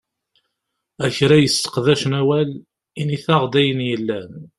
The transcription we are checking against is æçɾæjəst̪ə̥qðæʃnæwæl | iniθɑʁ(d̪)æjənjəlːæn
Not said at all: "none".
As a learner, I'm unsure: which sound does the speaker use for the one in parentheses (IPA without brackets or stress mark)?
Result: d̪